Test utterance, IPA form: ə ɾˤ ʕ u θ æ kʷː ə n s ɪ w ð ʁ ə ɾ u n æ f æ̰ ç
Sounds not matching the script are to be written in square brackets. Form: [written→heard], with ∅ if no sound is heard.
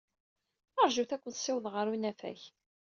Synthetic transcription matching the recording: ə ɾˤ [ʕ→ʒ] u θ æ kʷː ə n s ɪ w ð ʁ ə ɾ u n æ f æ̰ ç